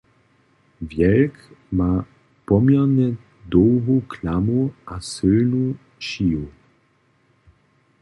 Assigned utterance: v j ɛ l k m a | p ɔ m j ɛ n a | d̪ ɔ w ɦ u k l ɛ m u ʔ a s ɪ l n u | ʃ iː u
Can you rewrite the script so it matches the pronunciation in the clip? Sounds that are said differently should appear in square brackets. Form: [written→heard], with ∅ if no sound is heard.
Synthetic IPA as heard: v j ɛ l k m a | p ɔ m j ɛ n [a→ɛ] | d̪ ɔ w ɦ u k l [ɛ→a] m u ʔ a s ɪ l n u | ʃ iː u